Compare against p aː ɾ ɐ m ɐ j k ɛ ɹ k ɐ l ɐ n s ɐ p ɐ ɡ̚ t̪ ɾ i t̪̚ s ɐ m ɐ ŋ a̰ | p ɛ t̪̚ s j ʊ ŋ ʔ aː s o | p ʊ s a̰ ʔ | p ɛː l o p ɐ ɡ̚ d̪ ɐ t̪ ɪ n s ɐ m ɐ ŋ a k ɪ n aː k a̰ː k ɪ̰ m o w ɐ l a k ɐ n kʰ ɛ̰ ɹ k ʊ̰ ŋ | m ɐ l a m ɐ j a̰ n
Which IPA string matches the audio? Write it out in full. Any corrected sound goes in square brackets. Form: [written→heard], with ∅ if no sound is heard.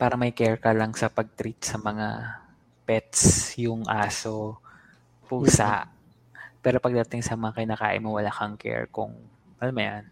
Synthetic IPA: p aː ɾ ɐ m ɐ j k ɛ ɹ k ɐ l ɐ [n→ŋ] s ɐ p ɐ ɡ̚ t̪ ɾ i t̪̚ s ɐ m ɐ ŋ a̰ | p ɛ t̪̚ s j ʊ ŋ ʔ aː s o | p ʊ s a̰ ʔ | p ɛː [l→ɾ] o p ɐ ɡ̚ d̪ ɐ t̪ ɪ [n→ŋ] s ɐ m ɐ ŋ a k ɪ n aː k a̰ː [k→ʔ] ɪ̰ m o w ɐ l a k ɐ [n→ŋ] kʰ ɛ̰ ɹ k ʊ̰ ŋ | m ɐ l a m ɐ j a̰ n